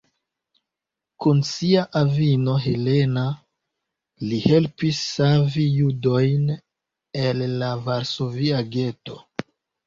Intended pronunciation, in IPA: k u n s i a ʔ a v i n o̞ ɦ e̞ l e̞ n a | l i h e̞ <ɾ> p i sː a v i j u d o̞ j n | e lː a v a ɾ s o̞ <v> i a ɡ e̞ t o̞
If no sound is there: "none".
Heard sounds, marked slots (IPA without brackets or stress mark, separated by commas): l, v